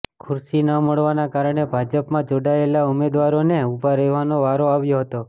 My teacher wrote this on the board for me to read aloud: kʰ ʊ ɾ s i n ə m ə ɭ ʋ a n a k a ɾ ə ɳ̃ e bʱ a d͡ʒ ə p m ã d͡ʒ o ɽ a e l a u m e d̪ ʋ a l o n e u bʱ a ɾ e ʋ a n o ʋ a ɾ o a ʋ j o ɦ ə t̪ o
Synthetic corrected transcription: kʰ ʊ ɾ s i n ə m ə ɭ ʋ a n a k a ɾ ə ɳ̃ e bʱ a d͡ʒ ə p m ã d͡ʒ o ɽ a e l a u m e d̪ ʋ a ɾ o n e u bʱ a ɾ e ʋ a n o ʋ a ɾ o a ʋ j o ɦ ə t̪ o